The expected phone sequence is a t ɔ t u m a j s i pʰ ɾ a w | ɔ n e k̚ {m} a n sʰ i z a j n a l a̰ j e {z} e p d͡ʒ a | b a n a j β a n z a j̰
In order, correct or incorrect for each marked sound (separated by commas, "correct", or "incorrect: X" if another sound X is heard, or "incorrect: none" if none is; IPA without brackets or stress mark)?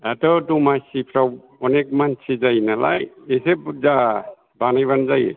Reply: correct, incorrect: s